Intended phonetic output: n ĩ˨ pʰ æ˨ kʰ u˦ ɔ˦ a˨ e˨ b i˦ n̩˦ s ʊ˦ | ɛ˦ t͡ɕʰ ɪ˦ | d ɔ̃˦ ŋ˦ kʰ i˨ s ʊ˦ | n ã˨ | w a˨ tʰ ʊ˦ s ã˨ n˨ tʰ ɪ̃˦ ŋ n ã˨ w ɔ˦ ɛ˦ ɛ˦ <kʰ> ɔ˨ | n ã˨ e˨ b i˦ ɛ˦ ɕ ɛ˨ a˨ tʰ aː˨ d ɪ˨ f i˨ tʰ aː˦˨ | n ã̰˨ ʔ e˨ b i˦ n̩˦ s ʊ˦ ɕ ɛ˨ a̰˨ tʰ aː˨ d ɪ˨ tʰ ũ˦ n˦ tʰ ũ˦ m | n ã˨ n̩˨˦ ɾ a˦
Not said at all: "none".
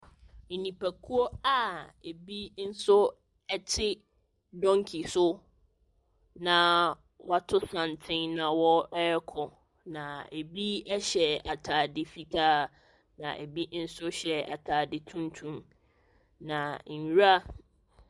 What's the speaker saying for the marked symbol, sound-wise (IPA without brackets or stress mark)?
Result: kʰ